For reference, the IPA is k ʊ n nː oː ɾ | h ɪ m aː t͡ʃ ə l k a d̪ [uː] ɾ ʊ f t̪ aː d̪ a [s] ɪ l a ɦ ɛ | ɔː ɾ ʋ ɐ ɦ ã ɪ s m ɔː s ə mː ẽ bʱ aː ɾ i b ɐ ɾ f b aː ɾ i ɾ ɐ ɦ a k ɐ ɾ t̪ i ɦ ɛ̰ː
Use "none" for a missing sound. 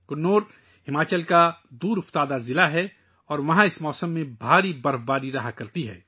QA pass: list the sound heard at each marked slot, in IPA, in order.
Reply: uː, z

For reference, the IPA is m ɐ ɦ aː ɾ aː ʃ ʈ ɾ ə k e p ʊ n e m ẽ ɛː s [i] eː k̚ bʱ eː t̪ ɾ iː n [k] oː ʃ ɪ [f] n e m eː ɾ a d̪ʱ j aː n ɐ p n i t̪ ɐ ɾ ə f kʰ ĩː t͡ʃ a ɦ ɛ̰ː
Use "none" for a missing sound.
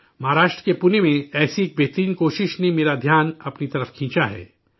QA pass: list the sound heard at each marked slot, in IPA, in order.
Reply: i, k, ʃ

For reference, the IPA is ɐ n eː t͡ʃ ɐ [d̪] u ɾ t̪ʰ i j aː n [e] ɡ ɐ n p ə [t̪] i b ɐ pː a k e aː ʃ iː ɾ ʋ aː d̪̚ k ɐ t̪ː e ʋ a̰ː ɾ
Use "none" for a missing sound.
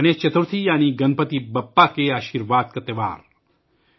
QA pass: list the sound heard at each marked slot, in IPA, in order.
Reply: t̪, i, t̪

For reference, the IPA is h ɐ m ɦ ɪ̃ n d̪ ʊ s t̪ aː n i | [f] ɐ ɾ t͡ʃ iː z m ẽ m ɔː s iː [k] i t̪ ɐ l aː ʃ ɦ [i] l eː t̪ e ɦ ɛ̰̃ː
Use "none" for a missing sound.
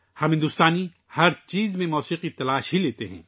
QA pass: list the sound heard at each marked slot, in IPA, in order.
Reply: h, q, i

